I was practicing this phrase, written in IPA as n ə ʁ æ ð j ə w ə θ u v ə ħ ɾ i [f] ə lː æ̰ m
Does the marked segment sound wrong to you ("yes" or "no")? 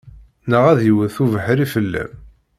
no